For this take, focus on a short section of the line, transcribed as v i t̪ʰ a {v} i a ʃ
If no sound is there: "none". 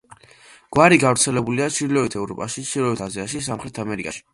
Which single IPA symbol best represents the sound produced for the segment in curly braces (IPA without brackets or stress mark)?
z